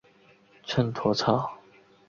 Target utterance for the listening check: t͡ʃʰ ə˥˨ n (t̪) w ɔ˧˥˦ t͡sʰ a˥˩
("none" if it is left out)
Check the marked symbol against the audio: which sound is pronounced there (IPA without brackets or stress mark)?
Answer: t̪ʰ